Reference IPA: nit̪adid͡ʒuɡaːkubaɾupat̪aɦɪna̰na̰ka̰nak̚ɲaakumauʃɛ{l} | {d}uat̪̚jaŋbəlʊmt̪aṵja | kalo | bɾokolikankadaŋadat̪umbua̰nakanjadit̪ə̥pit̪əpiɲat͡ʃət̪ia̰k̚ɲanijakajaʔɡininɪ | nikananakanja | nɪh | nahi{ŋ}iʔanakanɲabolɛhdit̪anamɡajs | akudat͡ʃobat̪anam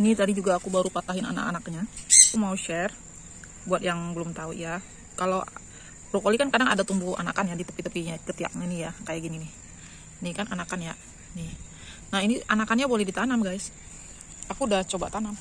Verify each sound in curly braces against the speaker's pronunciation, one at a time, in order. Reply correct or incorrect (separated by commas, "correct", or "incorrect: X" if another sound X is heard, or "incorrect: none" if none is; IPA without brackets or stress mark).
incorrect: r, incorrect: b, incorrect: n